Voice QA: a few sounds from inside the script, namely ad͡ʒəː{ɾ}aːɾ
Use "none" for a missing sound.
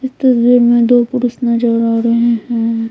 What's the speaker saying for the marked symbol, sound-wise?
ɾ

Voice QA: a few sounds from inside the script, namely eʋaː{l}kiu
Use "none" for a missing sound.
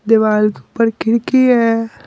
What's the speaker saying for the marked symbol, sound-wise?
l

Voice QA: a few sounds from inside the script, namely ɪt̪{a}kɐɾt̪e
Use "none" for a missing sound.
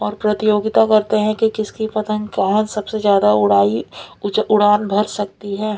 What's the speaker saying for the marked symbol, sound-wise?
a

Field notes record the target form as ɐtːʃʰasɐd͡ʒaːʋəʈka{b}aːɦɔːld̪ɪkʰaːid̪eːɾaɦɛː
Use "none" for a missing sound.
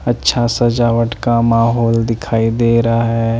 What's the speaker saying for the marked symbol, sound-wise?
m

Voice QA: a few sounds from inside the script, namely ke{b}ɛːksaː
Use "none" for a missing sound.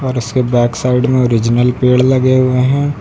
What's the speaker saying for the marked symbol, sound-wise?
b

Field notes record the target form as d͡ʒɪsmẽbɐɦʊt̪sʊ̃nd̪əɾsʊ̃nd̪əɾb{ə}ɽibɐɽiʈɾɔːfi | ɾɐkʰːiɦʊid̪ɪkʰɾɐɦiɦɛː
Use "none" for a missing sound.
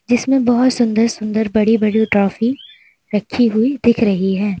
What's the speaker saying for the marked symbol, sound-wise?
ɐ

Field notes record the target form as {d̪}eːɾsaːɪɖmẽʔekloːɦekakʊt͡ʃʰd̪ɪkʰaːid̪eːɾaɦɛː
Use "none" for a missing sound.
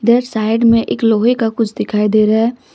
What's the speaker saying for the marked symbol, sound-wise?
d̪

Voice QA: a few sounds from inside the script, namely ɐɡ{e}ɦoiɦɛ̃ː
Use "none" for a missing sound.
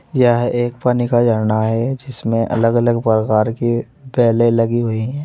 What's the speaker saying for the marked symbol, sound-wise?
i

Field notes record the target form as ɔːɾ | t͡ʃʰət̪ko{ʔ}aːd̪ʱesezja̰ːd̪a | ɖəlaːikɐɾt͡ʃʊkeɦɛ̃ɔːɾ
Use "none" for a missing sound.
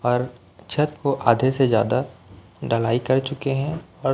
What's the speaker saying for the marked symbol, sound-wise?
ʔ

